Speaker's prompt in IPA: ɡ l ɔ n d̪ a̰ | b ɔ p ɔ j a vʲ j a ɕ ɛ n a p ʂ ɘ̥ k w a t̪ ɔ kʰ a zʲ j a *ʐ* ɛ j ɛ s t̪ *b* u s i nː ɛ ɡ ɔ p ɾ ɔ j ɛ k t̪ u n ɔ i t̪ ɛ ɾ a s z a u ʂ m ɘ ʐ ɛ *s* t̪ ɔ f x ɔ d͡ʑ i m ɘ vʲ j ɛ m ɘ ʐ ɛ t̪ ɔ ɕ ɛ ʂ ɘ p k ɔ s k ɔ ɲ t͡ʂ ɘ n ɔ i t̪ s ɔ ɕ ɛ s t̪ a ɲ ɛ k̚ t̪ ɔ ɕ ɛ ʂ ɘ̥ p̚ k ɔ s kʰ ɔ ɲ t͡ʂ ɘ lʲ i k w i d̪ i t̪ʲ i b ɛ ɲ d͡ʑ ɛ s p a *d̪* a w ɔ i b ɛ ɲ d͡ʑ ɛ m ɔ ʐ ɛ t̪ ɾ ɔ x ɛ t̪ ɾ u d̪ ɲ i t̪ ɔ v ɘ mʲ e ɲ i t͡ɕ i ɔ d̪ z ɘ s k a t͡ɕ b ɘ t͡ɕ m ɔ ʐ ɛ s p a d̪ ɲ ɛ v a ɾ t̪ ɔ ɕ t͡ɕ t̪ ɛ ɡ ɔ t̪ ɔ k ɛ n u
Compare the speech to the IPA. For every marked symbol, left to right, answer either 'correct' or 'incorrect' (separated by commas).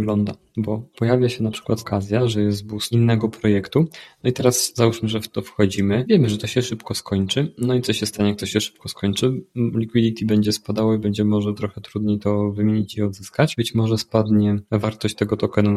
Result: correct, correct, incorrect, correct